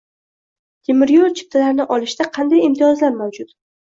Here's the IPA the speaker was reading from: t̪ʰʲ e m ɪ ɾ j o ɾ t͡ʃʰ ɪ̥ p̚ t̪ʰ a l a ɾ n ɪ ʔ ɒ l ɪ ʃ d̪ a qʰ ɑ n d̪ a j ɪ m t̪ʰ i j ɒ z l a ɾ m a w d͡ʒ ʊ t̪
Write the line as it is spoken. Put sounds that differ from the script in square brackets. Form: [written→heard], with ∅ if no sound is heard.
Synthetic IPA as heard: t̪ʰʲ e m ɪ ɾ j o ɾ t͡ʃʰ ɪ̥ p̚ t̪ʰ a l a ɾ n ɪ ʔ ɒ l ɪ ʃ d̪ a qʰ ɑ n d̪ a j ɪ m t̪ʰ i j ɒ z l a ɾ m a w d͡ʒ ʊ t̪